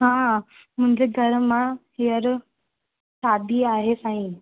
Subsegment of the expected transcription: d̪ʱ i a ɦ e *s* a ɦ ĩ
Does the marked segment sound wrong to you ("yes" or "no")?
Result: no